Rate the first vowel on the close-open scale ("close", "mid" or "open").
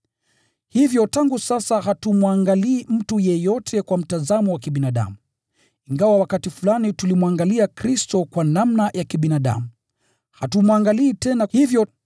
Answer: close